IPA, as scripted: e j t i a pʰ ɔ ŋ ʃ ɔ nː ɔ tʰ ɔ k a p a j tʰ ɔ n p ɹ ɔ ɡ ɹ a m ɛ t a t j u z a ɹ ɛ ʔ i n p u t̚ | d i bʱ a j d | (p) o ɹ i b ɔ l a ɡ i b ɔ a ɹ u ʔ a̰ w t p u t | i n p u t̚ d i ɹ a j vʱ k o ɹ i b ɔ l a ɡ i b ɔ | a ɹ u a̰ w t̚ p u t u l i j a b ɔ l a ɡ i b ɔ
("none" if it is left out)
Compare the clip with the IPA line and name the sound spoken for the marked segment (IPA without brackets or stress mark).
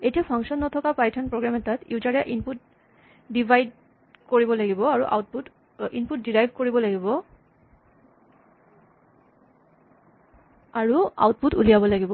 k